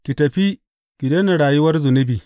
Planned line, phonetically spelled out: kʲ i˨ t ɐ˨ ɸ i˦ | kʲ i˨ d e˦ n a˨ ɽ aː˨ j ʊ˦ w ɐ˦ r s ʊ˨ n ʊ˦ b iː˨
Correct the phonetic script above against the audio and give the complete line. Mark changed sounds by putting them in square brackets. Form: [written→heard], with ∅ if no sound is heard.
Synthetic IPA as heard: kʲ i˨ t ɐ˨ ɸ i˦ | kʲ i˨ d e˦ n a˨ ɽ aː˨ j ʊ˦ w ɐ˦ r [s→z] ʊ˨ n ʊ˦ b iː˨